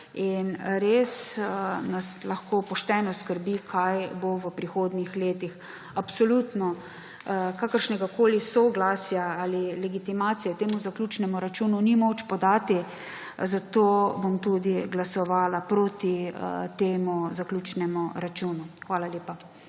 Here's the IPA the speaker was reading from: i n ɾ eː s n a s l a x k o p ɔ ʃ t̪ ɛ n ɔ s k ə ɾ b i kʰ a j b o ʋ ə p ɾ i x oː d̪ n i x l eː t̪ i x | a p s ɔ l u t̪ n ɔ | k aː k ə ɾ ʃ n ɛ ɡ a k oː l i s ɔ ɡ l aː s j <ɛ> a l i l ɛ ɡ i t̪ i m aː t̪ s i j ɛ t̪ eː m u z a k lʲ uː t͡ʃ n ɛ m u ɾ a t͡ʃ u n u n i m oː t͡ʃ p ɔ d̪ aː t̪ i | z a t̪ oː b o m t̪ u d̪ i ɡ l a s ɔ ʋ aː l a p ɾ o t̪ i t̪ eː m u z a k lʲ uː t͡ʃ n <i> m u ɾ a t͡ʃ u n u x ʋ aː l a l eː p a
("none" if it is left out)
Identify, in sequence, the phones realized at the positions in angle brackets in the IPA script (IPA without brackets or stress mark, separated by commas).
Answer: a, ɛ